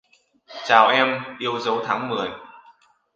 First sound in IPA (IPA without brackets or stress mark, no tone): t͡ɕ